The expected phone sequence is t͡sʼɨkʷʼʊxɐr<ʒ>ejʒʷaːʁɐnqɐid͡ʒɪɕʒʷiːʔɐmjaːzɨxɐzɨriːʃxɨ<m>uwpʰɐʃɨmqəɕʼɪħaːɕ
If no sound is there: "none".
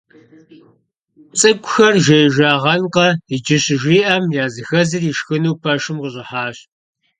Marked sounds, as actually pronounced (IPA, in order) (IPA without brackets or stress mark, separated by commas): ʒ, n